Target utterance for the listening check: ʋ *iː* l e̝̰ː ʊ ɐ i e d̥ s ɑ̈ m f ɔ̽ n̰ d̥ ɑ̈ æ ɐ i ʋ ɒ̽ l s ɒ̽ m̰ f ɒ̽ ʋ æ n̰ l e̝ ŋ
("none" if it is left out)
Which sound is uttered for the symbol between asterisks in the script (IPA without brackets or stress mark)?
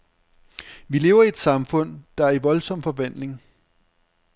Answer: i